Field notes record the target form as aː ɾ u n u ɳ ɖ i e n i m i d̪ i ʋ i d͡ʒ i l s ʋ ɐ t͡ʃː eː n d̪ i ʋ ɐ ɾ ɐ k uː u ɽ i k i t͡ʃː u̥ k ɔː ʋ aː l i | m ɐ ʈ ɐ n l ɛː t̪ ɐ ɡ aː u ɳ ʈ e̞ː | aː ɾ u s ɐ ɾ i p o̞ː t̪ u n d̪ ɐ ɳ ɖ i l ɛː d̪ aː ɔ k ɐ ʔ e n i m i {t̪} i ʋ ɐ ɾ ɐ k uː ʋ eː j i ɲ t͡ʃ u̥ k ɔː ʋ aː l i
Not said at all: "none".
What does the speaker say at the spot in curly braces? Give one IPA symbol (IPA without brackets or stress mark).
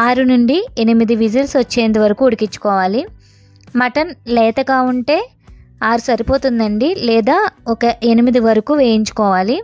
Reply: d̪